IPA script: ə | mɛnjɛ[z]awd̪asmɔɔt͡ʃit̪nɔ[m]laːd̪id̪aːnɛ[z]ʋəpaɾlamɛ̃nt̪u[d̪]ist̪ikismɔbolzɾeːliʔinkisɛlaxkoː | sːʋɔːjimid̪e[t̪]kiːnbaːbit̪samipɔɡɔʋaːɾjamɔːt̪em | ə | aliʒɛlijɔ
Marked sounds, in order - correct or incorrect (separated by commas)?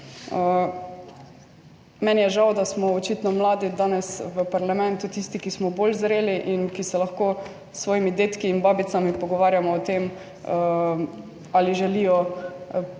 incorrect, correct, incorrect, incorrect, correct